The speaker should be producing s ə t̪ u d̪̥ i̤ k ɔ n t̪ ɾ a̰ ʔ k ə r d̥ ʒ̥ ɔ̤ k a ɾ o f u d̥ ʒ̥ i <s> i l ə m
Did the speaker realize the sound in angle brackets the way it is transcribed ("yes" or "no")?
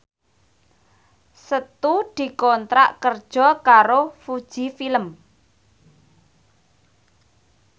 no